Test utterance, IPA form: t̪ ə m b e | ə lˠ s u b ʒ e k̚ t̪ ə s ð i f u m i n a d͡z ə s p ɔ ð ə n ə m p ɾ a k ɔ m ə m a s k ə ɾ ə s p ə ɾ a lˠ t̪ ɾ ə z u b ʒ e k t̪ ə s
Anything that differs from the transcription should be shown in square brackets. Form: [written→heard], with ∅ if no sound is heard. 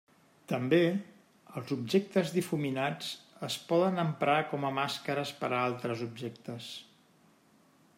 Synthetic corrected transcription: t̪ ə m b e | ə lˠ [s→z] u b ʒ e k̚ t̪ ə [s→z] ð i f u m i n a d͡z ə s p ɔ ð ə n ə m p ɾ a k ɔ m ə m a s k ə ɾ ə s p ə ɾ a lˠ t̪ ɾ ə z u b ʒ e k t̪ ə s